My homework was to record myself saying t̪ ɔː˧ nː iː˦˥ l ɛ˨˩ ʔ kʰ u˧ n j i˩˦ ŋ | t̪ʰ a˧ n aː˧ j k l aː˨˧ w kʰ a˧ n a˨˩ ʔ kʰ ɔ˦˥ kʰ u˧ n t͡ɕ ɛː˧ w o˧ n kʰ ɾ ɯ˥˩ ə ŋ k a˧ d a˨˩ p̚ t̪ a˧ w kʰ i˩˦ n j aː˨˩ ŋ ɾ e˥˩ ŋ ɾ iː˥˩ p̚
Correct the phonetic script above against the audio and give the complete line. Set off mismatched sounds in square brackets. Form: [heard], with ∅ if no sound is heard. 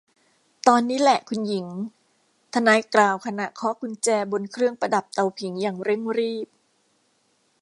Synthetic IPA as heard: t̪ ɔː˧ nː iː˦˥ l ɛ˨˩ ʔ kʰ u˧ n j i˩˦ ŋ | t̪ʰ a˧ n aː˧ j k l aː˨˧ w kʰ a˧ n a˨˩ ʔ kʰ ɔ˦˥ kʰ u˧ n t͡ɕ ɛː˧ [b] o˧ n kʰ ɾ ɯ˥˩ ə ŋ [p] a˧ d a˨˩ p̚ t̪ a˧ w [pʰ] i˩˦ [ŋ] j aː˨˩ ŋ ɾ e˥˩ ŋ ɾ iː˥˩ p̚